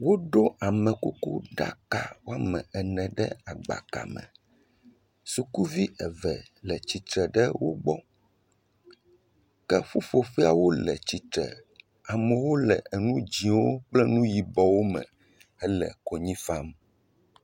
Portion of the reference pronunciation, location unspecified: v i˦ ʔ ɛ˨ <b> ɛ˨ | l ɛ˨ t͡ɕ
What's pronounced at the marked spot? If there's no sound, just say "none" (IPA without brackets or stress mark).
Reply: v